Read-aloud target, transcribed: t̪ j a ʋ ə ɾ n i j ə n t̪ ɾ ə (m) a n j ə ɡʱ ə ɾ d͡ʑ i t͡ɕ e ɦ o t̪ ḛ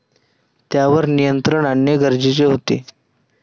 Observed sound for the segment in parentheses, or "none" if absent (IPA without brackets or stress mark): ɳ